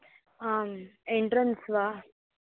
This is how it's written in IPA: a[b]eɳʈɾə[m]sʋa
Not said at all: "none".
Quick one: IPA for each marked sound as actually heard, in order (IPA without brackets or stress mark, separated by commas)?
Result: m, n